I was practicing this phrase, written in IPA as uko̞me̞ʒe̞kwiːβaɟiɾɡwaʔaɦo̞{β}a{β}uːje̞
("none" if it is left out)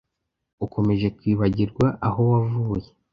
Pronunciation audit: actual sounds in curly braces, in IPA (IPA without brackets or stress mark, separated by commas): w, v